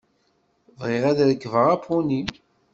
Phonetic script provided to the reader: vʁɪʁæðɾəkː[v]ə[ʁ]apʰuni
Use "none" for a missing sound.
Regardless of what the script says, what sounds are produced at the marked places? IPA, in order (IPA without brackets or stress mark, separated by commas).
v, ʁ